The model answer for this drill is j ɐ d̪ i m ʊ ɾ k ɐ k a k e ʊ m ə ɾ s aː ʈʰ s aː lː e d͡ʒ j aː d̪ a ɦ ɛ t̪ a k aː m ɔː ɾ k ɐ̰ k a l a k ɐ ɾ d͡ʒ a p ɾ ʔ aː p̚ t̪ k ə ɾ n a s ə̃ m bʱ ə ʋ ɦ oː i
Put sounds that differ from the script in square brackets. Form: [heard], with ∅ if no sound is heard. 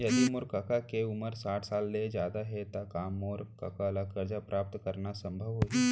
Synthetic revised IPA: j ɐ d̪ i m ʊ ɾ k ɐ k a k e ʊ m ə ɾ s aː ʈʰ s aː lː e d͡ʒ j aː d̪ a ɦ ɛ t̪ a k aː m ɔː ɾ k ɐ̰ k a l a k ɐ ɾ d͡ʒ a p ɾ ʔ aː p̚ t̪ k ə ɾ n a s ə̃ m bʱ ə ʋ ɦ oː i